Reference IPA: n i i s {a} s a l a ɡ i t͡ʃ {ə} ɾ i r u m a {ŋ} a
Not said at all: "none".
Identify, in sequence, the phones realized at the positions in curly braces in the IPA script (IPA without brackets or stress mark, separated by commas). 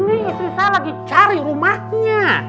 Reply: i, a, ɲ